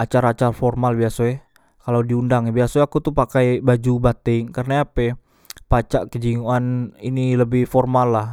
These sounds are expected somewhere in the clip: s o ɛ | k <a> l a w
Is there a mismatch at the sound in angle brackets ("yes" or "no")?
no